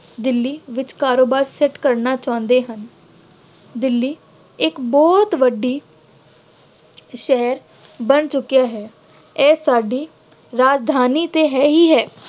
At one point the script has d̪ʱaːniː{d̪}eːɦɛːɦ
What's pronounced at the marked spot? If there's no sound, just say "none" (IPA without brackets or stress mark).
t̪